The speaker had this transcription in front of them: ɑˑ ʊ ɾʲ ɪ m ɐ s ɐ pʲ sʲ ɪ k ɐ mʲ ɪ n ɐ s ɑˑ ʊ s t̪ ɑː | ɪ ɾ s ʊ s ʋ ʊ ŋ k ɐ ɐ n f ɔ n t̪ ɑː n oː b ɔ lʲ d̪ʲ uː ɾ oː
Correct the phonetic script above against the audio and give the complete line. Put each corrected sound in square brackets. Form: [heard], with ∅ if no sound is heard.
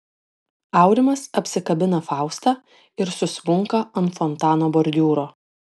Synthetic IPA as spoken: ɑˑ ʊ ɾʲ ɪ m ɐ s ɐ pʲ sʲ ɪ k ɐ [bʲ] ɪ n ɐ [f] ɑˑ ʊ s t̪ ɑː | ɪ ɾ s ʊ s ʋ ʊ ŋ k ɐ ɐ n f ɔ n t̪ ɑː n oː b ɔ [ɾʲ] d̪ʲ uː ɾ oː

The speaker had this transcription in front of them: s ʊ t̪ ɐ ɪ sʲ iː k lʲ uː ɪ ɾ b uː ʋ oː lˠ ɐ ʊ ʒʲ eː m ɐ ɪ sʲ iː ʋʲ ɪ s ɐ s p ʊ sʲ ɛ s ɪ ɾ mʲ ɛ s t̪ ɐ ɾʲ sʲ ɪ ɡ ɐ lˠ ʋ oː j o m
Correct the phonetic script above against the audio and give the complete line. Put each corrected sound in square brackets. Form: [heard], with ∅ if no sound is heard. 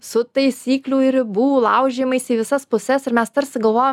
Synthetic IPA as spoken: s ʊ t̪ ɐ ɪ sʲ iː k lʲ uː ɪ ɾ b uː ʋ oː lˠ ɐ ʊ ʒʲ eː m ɐ ɪ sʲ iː ʋʲ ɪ s ɐ s p ʊ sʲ ɛ s ɪ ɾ mʲ ɛ s t̪ ɐ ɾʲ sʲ ɪ ɡ ɐ lˠ ʋ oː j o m

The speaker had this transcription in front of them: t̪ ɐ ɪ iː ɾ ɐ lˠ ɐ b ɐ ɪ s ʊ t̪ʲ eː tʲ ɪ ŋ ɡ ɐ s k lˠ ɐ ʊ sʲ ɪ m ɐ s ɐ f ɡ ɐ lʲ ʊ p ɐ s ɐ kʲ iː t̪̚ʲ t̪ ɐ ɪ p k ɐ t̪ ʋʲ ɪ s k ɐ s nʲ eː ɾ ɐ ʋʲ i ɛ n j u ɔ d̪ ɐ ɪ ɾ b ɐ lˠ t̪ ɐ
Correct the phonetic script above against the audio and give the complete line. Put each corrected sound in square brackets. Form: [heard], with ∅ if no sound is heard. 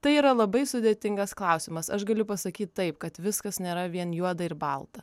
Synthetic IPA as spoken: t̪ ɐ ɪ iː ɾ ɐ lˠ ɐ b ɐ ɪ s ʊ [d̪ʲ] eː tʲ ɪ ŋ ɡ ɐ s k lˠ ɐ ʊ sʲ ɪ m ɐ s ɐ [ʃ] ɡ ɐ lʲ ʊ p ɐ s ɐ kʲ iː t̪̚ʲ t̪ ɐ ɪ p k ɐ t̪ ʋʲ ɪ s k ɐ s nʲ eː ɾ ɐ ʋʲ i ɛ n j u ɔ d̪ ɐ ɪ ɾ b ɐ lˠ t̪ ɐ

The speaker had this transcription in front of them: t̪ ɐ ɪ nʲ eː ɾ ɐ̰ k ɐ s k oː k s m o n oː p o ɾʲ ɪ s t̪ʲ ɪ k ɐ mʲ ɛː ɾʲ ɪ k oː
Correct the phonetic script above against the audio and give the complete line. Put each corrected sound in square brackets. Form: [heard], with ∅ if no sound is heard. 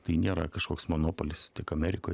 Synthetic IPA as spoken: t̪ ɐ ɪ nʲ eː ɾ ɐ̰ k ɐ [ʃ] k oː k s m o n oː p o [lʲ] ɪ s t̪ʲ ɪ k ɐ mʲ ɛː ɾʲ ɪ k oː

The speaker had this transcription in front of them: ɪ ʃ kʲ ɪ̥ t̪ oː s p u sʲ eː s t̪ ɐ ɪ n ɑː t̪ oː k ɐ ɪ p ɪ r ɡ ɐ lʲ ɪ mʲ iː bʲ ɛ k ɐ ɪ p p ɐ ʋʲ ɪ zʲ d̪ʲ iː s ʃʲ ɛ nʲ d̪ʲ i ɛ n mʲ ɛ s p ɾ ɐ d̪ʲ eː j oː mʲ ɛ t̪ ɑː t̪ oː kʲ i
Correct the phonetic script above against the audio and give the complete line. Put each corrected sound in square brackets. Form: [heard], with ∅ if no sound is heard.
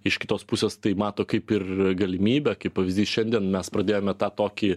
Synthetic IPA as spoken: ɪ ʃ kʲ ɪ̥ t̪ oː s p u sʲ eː s t̪ ɐ ɪ [m] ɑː t̪ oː k ɐ ɪ p ɪ r ɡ ɐ lʲ ɪ mʲ iː bʲ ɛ k ɐ ɪ p p ɐ ʋʲ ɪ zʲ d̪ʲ iː s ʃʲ ɛ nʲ d̪ʲ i ɛ n mʲ ɛ s p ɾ ɐ d̪ʲ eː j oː mʲ ɛ t̪ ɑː t̪ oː kʲ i

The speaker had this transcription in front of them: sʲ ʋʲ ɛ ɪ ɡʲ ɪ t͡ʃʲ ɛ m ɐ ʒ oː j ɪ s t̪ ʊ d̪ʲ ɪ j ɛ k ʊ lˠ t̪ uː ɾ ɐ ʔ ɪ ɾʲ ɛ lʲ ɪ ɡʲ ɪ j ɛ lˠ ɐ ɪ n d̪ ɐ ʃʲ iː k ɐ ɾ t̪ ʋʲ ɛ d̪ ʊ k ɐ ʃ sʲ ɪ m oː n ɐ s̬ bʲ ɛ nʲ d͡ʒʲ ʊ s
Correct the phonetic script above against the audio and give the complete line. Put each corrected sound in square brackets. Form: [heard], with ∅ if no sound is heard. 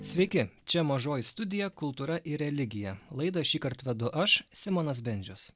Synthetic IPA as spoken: sʲ ʋʲ ɛ ɪ [kʲ] ɪ t͡ʃʲ ɛ m ɐ ʒ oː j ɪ s t̪ ʊ d̪ʲ ɪ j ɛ k ʊ lˠ t̪ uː ɾ ɐ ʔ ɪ ɾʲ ɛ lʲ ɪ ɡʲ ɪ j ɛ lˠ ɐ ɪ [∅] d̪ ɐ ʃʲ iː k ɐ ɾ t̪ ʋʲ ɛ d̪ ʊ [ʔ] ɐ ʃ sʲ ɪ m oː n ɐ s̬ bʲ ɛ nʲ d͡ʒʲ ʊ s

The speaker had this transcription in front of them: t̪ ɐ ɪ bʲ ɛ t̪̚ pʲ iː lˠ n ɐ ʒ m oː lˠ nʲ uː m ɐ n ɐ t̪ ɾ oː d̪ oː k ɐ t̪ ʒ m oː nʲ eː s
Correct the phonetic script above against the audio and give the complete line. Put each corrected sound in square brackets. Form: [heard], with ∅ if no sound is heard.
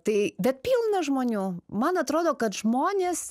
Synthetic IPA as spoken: t̪ ɐ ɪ bʲ ɛ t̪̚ pʲ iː lˠ n ɐ ʒ m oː [∅] nʲ uː m ɐ n ɐ t̪ ɾ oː d̪ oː k ɐ t̪ ʒ m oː nʲ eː s

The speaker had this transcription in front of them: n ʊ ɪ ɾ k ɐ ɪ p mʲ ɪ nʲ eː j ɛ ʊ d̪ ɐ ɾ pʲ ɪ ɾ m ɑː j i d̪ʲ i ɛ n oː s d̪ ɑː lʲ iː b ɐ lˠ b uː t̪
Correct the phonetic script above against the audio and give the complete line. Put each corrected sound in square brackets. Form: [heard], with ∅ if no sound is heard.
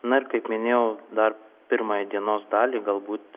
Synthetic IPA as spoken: n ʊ ɪ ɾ k ɐ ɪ p mʲ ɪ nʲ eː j ɛ ʊ d̪ ɐ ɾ pʲ ɪ ɾ m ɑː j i d̪ʲ i ɛ n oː s d̪ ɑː lʲ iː [ɡ] ɐ lˠ b uː t̪

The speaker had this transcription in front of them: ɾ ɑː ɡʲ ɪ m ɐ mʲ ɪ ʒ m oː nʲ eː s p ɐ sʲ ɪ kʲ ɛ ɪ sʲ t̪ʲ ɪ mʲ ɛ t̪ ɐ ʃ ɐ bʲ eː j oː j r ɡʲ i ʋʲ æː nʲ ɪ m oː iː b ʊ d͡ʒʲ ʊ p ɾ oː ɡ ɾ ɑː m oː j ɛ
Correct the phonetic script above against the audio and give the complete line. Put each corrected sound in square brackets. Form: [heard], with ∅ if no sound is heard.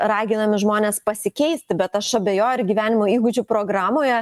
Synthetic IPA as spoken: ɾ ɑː ɡʲ ɪ [n] ɐ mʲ ɪ ʒ m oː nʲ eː s p ɐ sʲ ɪ kʲ ɛ ɪ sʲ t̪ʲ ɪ [bʲ] ɛ t̪ ɐ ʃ ɐ bʲ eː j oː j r ɡʲ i ʋʲ æː nʲ ɪ m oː iː [ɡ] ʊ d͡ʒʲ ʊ p ɾ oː ɡ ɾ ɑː m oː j ɛ

